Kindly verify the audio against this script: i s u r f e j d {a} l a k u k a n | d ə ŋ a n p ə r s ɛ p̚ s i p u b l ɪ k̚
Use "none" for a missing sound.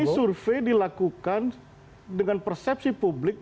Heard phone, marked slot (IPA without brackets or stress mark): i